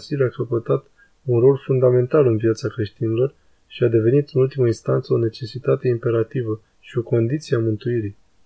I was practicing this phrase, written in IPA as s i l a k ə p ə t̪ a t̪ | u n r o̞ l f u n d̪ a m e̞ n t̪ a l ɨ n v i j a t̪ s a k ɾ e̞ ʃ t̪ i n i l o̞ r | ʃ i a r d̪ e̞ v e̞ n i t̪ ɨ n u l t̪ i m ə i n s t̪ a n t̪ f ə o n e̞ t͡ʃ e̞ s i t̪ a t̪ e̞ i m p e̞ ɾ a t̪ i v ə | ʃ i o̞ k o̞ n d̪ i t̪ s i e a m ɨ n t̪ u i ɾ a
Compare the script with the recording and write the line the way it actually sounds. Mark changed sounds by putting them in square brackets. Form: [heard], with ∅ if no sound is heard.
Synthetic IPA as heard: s i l a k ə p ə t̪ a t̪ | u n r o̞ l f u n d̪ a m e̞ n t̪ a l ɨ n v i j a t̪ s a k ɾ e̞ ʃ t̪ i n i l o̞ r | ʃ i a [∅] d̪ e̞ v e̞ n i t̪ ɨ n u l t̪ i m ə i n s t̪ a n t̪ [s] ə o n e̞ t͡ʃ e̞ s i t̪ a t̪ e̞ i m p e̞ ɾ a t̪ i v ə | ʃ i o̞ k o̞ n d̪ i t̪ s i e a m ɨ n t̪ u i ɾ [i]